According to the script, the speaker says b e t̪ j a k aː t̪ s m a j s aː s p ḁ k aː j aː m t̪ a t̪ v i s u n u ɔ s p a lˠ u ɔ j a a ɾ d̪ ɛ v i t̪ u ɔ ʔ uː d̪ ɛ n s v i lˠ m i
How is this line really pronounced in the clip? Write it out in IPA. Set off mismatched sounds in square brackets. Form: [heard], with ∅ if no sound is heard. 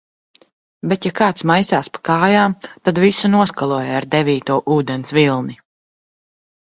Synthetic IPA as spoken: b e t̪ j a k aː t̪ s m a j s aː s p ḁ k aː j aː m t̪ a [d̪] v i s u n u ɔ s [k] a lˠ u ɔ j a a ɾ d̪ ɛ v [iː] t̪ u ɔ ʔ uː d̪ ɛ n s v i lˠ [n] i